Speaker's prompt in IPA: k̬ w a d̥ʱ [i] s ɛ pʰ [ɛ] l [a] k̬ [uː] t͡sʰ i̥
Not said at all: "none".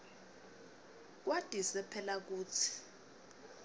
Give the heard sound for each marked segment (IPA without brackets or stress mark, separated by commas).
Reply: i, ɛ, a, uː